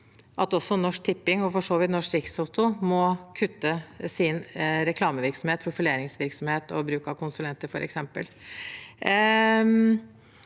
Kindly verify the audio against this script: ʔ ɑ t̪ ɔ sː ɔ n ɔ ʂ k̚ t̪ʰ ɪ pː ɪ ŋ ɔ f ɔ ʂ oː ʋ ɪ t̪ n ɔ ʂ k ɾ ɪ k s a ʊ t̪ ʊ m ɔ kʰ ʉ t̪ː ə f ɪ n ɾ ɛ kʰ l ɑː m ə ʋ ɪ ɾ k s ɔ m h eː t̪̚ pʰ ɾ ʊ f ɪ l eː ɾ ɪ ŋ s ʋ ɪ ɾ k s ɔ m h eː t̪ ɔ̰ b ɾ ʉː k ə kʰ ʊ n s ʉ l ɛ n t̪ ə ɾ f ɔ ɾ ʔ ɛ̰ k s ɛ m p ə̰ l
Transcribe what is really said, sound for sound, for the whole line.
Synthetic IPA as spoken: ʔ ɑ t̪ ɔ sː ɔ n ɔ ʂ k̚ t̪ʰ ɪ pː ɪ ŋ ɔ f ɔ ʂ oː ʋ ɪ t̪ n ɔ ʂ k ɾ ɪ k s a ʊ t̪ ʊ m ɔ kʰ ʉ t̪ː ə s ɪ n ɾ ɛ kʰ l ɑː m ə ʋ ɪ ɾ k s ɔ m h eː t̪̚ pʰ ɾ ʊ f ɪ l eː ɾ ɪ ŋ s ʋ ɪ ɾ k s ɔ m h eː t̪ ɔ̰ b ɾ ʉː k ɑ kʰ ʊ n s ʉ l ɛ n t̪ ə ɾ f ɔ ɾ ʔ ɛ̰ k s ɛ m p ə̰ l

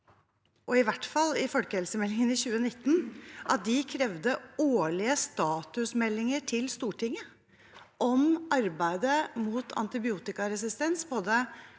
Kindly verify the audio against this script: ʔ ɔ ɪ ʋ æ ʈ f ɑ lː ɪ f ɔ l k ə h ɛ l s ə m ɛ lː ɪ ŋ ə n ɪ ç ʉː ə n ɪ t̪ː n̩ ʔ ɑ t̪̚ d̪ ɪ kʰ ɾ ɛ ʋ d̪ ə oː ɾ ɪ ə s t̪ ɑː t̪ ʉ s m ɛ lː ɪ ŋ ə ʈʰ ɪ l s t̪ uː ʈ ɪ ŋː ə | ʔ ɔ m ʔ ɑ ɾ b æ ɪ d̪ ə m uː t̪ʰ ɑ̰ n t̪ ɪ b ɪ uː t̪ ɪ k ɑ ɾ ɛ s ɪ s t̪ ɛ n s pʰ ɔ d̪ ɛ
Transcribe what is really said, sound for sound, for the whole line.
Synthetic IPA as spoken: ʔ ɔ ɪ ʋ æ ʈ f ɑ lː ɪ f ɔ l k ə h ɛ l s ə m ɛ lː ɪ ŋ ə n ɪ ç ʉː ə n ɪ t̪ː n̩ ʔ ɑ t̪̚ d̪ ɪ kʰ ɾ ɛ ʋ d̪ ə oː ɭ ɪ ə s t̪ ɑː t̪ ʉ s m ɛ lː ɪ ŋ ə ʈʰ ɪ l s t̪ uː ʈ ɪ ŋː ə | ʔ ɔ m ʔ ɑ ɾ b æ ɪ d̪ ə m uː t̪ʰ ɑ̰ n t̪ ɪ b ɪ uː t̪ ɪ k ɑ ɾ ɛ s ɪ s t̪ ɛ n s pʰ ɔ d̪ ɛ

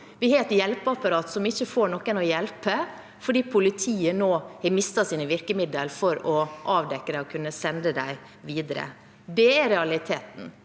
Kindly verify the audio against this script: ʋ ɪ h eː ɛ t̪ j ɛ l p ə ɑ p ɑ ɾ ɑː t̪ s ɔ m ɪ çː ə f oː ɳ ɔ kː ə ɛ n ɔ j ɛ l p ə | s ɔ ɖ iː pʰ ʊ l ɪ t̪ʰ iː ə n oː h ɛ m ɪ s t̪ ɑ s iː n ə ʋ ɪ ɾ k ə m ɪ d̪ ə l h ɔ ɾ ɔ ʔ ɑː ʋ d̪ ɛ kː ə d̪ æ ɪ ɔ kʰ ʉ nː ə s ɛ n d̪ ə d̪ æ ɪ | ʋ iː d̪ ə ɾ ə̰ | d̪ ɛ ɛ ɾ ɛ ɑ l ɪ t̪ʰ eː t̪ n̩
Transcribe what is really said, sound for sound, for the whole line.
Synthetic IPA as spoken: ʋ ɪ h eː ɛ t̪ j ɛ l p ə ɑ p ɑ ɾ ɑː t̪ s ɔ m ɪ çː ə f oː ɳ ɔ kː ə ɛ n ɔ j ɛ l p ə | f ɔ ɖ iː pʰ ʊ l ɪ t̪ʰ iː ə n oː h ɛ m ɪ s t̪ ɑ s iː n ə ʋ ɪ ɾ k ə m ɪ d̪ ə l f ɔ ɾ ɔ ʔ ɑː ʋ d̪ ɛ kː ə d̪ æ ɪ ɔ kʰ ʉ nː ə s ɛ n d̪ ə d̪ æ ɪ | ʋ iː d̪ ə ɾ ə̰ | d̪ ɛ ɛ ɾ ɛ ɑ l ɪ t̪ʰ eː t̪ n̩

